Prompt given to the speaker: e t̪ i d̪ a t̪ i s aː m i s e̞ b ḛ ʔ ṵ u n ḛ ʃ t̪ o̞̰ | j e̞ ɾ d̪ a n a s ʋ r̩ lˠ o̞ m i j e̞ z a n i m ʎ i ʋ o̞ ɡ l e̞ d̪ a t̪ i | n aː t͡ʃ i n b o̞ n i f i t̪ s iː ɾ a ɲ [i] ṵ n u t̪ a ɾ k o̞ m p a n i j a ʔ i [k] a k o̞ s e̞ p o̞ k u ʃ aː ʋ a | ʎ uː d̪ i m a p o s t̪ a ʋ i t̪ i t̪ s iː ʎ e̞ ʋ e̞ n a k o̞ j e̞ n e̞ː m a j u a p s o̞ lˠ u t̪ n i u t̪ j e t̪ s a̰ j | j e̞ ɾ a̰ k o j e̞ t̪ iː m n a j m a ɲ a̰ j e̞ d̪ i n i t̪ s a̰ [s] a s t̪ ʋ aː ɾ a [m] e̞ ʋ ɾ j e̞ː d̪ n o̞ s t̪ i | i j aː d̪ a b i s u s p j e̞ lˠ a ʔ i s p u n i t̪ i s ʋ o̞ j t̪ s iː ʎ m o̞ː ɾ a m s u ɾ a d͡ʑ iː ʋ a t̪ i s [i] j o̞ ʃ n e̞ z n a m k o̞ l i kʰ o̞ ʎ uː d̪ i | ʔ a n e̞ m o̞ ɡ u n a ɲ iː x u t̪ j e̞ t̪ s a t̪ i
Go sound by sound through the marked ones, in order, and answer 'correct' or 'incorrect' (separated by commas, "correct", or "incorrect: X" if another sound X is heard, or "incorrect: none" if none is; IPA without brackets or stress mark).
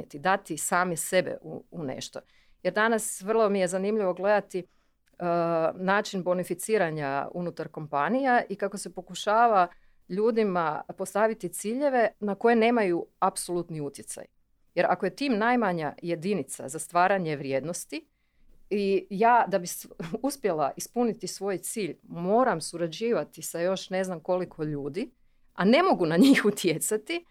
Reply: incorrect: a, correct, incorrect: z, incorrect: ɲ, incorrect: a